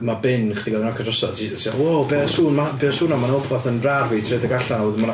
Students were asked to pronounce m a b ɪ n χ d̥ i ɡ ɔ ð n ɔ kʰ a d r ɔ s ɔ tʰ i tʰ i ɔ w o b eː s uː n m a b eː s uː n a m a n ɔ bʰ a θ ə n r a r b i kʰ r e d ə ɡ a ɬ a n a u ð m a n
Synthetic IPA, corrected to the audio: m a b ɪ n χ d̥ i ɡ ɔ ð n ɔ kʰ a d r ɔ s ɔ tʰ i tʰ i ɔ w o b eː s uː n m a b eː s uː n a m a n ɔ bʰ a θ ə n r a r v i tʰ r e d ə ɡ a ɬ a n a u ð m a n